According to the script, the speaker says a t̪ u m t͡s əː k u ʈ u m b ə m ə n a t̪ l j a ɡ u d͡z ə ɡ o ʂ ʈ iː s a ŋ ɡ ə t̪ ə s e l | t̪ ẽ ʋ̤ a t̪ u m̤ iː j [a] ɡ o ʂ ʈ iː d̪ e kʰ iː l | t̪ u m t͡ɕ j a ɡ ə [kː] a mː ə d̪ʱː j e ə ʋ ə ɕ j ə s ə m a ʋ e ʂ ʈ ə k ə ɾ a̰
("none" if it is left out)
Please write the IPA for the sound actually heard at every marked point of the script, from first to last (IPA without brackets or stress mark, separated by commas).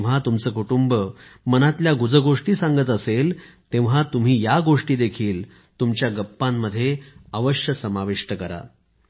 a, pː